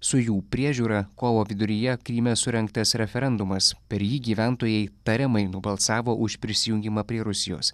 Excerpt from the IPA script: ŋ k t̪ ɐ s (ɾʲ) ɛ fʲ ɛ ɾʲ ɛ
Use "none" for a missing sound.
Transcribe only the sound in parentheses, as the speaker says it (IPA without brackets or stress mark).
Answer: ɾʲ